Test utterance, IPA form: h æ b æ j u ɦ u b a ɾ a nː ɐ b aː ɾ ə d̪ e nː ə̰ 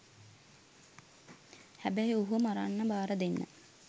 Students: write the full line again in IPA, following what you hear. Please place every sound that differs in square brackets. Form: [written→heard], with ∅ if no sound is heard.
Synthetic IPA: h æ b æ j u ɦ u [b→m] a ɾ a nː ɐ b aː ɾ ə d̪ e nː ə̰